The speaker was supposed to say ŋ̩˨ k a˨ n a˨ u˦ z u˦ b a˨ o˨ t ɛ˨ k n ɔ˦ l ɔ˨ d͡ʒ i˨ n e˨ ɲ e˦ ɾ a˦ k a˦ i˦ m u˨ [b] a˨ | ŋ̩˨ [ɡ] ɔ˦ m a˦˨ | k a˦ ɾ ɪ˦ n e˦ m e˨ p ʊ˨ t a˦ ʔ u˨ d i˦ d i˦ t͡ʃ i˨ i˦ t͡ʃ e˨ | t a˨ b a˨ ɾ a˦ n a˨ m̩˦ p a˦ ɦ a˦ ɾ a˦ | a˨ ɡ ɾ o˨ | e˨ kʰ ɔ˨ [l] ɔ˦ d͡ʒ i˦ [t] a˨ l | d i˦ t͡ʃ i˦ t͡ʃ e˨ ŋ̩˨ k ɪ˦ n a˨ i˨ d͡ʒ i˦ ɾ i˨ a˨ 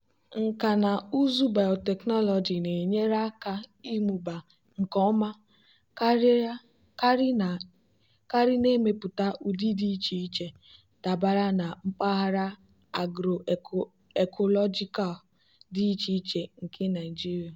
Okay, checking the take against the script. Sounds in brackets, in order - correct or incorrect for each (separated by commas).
correct, incorrect, correct, incorrect